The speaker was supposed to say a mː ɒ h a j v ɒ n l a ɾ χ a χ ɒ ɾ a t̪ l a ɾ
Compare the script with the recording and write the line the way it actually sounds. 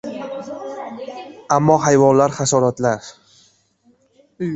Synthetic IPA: a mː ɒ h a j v ɒ n l a ɾ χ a s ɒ ɾ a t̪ l a ɾ